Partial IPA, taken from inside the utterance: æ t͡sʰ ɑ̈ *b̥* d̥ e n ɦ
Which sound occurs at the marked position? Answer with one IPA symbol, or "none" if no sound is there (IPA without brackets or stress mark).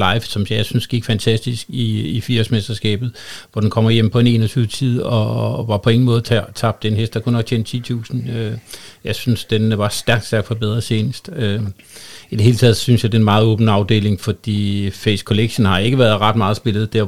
b̥